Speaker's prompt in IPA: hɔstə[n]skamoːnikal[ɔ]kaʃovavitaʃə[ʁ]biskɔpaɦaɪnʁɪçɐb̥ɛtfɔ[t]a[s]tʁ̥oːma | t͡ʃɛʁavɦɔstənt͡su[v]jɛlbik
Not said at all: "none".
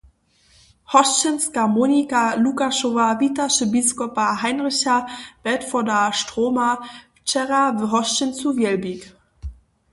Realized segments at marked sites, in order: n, u, none, d, ʃ, v

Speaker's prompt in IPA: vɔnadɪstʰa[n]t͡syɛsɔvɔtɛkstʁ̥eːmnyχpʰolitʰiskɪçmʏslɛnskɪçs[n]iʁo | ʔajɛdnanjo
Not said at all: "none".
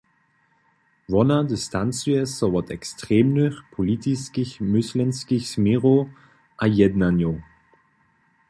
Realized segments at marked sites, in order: n, m

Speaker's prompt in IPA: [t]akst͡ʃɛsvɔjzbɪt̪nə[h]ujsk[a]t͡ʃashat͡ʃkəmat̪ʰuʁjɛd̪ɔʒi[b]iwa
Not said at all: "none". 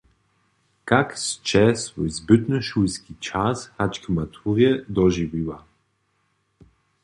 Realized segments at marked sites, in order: k, ʃ, i, v

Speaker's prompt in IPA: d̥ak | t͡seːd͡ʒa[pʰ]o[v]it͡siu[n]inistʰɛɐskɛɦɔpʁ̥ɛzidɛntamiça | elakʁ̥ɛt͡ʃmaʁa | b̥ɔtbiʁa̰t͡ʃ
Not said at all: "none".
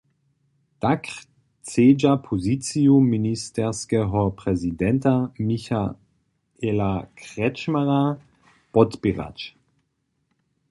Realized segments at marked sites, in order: pʰ, z, m

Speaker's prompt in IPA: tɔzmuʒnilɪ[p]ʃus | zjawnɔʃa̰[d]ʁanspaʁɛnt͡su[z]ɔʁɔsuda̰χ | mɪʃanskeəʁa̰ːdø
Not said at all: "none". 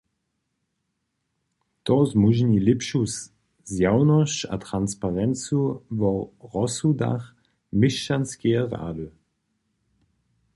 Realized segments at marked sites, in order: p, t, v

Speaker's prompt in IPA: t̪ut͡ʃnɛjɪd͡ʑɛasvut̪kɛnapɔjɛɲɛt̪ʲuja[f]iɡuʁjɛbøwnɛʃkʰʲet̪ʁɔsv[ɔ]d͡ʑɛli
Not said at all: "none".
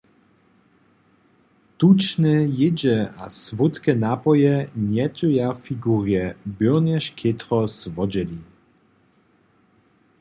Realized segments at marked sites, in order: f, ɔ

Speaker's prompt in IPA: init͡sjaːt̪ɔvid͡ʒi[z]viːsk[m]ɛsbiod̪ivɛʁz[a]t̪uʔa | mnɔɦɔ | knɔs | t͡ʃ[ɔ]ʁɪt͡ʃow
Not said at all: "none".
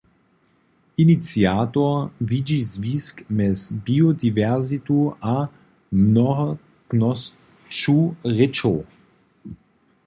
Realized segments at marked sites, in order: z, m, i, u

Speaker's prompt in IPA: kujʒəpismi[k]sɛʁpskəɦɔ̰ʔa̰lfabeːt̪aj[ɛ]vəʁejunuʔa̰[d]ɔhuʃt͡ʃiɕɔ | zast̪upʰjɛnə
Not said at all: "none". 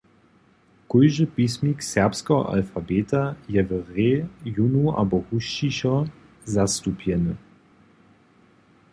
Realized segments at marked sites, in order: k, ɛ, b

